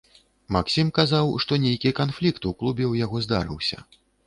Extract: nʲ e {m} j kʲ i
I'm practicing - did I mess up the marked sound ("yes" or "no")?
yes